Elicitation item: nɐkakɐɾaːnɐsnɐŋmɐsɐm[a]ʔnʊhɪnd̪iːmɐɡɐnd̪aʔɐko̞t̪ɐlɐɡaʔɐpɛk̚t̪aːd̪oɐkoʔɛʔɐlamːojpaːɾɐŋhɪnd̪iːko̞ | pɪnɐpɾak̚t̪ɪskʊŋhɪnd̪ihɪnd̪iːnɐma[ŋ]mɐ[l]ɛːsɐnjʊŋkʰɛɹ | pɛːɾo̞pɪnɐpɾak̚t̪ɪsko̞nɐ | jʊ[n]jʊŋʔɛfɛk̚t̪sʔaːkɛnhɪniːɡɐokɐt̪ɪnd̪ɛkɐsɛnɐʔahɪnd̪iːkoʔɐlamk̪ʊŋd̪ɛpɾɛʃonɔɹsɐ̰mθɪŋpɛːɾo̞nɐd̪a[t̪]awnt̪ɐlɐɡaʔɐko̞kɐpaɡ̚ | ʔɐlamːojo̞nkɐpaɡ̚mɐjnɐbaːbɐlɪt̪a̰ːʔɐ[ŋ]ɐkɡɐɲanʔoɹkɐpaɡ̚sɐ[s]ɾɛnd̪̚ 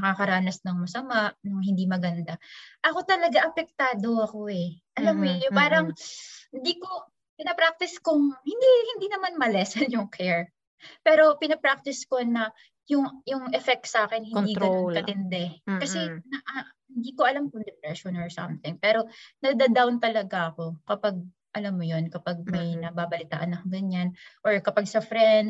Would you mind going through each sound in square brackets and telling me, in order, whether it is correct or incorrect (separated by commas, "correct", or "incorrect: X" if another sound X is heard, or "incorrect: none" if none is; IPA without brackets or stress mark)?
correct, incorrect: n, correct, incorrect: ŋ, incorrect: d̪, incorrect: n, incorrect: f